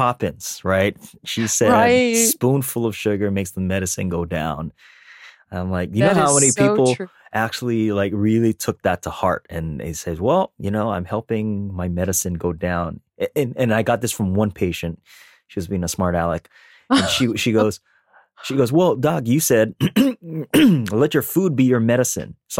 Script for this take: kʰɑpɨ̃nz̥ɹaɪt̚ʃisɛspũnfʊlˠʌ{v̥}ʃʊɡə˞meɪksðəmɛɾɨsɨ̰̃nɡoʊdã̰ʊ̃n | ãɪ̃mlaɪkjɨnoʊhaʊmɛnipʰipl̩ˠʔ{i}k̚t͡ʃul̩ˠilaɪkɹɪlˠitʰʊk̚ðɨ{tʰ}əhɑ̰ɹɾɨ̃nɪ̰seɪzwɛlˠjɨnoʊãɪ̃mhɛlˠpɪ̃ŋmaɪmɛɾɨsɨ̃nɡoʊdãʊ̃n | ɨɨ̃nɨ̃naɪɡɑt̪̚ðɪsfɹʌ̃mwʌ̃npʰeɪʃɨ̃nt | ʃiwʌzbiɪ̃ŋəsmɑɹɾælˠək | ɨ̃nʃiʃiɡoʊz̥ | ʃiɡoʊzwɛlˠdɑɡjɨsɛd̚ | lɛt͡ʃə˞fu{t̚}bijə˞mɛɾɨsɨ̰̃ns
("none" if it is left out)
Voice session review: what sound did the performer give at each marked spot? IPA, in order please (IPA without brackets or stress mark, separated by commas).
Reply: v̥, æ, tʰ, d̚